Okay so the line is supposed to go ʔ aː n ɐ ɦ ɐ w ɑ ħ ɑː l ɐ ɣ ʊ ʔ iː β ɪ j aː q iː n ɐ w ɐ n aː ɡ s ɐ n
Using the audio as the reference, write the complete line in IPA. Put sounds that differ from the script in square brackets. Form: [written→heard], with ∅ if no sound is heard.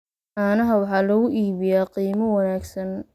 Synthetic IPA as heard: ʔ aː n ɐ ɦ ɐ w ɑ ħ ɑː l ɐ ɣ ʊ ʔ iː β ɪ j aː q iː [n→m] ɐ w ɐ n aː ɡ s ɐ n